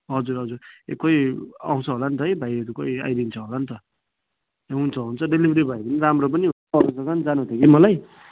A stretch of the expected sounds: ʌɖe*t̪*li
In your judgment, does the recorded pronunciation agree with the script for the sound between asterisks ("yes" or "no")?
no